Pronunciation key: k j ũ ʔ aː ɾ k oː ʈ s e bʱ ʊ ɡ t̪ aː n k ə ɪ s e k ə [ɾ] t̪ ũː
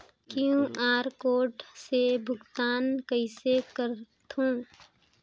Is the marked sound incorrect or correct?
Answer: correct